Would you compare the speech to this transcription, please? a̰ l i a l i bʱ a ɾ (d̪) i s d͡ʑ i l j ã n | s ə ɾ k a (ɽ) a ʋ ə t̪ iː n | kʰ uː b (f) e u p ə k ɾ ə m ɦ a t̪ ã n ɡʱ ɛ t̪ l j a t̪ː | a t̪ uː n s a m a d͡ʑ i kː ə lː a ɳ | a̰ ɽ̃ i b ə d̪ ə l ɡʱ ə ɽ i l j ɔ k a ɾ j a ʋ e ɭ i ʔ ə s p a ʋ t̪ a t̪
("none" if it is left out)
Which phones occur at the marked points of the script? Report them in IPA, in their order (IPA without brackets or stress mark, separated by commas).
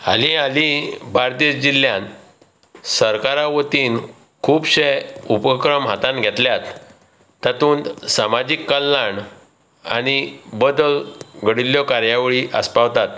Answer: t̪, ɾ, ɕ